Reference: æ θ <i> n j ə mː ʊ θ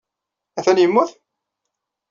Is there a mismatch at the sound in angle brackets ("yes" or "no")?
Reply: yes